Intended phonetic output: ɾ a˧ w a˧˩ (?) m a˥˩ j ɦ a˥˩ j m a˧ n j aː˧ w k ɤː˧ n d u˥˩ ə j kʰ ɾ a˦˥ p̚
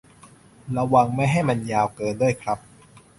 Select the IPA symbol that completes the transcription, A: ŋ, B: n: A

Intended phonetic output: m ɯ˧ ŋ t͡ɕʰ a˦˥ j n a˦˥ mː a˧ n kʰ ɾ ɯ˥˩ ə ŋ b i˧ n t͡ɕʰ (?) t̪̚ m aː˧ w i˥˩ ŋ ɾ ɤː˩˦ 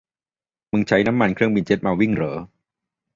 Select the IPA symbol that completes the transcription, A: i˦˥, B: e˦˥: B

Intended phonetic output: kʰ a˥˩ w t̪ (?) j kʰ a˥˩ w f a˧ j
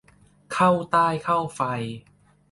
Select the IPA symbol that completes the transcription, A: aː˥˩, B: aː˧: A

